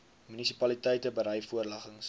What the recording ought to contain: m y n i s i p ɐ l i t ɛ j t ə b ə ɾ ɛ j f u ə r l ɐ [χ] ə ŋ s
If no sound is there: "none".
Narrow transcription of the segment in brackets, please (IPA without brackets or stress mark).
χ